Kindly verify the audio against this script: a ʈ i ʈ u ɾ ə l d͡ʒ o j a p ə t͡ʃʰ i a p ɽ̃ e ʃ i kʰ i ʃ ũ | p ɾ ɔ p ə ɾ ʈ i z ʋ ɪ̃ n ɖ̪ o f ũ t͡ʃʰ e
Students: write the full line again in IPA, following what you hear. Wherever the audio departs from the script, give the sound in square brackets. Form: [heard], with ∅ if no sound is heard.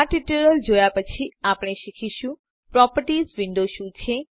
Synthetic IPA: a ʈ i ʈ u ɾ ə l d͡ʒ o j a p ə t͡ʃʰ i a p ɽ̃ e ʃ i kʰ i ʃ ũ | p ɾ ɔ p ə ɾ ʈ i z ʋ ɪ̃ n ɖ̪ o [ʃ] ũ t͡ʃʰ e